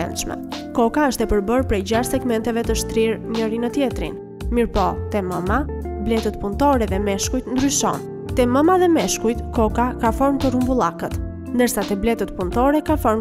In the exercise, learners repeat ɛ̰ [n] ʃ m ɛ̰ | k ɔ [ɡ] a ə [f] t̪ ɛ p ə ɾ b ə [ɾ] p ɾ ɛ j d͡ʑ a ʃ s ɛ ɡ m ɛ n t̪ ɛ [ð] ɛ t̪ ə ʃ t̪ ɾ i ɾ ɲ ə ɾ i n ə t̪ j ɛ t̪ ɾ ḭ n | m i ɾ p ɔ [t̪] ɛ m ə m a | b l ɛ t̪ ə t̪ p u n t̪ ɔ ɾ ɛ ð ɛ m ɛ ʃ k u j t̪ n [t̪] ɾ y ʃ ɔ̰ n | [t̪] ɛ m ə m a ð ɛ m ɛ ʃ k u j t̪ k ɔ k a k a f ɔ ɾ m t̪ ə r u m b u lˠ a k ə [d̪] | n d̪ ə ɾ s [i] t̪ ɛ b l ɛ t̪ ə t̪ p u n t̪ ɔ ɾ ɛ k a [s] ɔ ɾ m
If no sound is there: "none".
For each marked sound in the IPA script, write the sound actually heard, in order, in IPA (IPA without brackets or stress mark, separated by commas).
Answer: n, k, ʃ, ɾ, v, t̪, d̪, t̪, t̪, a, f